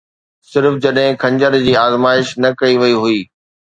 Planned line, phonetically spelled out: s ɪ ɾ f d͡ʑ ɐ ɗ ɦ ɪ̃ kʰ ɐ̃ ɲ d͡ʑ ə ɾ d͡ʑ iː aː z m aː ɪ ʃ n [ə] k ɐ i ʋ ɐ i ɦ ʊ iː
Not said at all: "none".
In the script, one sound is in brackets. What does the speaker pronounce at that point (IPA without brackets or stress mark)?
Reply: ɐ